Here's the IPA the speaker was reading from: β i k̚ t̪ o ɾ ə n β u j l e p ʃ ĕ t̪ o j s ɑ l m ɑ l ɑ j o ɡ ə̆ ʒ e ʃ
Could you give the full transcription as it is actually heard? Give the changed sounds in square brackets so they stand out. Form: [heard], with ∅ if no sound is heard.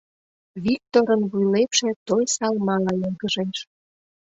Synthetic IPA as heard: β i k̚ t̪ o ɾ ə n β u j l e p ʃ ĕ t̪ o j s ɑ l m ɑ l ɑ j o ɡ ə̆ ʒ e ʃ

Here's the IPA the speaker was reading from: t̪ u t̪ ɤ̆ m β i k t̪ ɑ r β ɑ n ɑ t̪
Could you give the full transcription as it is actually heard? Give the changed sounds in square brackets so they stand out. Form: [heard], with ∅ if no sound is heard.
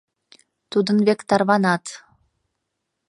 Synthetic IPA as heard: t̪ u [d̪] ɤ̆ [n] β [e] k t̪ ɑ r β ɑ n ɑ t̪

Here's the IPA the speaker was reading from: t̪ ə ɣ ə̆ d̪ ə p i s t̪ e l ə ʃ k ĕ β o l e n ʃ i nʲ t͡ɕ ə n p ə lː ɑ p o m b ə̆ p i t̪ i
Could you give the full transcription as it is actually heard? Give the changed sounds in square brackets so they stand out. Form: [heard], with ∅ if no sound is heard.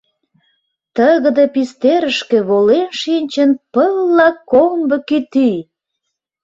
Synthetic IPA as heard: t̪ ə ɣ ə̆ d̪ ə p i s t̪ e [ɾ] ə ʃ k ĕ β o l e n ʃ i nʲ t͡ɕ ə n p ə lː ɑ [k] o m b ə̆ [k] i t̪ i

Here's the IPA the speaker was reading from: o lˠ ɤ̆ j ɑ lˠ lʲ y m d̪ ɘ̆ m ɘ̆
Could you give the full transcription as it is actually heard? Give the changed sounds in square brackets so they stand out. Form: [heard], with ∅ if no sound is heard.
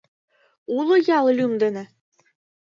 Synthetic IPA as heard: [u] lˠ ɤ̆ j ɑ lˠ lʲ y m d̪ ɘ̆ [n] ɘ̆

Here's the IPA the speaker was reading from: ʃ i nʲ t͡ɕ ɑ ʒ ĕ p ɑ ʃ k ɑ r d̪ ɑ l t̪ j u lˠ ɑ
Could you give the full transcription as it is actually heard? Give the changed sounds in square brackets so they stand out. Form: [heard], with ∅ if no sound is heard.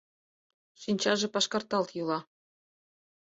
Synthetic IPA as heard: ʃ i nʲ t͡ɕ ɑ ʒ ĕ p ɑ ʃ k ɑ r [t̪] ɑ l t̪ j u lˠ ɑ

